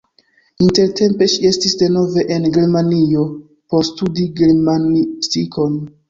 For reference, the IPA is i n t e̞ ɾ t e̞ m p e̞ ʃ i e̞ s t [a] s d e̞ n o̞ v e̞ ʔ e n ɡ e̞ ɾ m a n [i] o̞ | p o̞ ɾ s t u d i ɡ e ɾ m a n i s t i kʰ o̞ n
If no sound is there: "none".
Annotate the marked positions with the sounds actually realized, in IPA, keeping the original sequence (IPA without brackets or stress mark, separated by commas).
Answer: i, i